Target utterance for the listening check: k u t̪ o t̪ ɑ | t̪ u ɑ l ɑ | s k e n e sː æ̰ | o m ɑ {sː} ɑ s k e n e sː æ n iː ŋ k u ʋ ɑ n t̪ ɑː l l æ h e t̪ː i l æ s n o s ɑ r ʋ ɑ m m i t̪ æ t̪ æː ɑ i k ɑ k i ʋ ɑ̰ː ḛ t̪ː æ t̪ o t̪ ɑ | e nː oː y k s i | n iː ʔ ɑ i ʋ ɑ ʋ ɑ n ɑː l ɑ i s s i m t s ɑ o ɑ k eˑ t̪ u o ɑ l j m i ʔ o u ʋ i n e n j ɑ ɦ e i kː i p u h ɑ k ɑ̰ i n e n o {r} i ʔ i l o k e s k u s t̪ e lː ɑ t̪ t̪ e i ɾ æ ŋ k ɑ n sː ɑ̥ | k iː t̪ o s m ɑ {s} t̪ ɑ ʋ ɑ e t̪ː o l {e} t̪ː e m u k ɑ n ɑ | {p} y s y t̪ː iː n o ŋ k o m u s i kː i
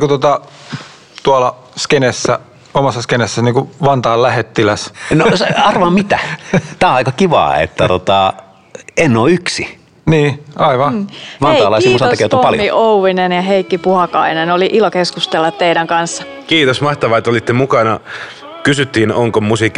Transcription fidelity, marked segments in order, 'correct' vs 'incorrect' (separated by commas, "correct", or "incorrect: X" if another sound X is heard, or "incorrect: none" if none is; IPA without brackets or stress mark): correct, incorrect: l, incorrect: h, incorrect: i, incorrect: k